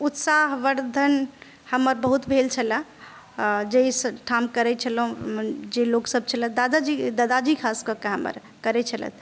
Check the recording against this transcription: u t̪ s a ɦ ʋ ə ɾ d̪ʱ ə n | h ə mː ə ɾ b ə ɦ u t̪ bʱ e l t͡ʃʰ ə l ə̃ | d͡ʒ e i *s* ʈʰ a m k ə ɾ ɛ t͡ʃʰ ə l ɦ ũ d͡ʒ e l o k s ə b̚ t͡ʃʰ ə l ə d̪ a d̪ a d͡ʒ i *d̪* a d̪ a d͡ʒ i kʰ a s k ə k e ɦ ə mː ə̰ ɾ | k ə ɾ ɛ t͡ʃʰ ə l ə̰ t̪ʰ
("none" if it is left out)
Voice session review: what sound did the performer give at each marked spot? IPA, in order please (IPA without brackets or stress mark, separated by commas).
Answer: s, d̪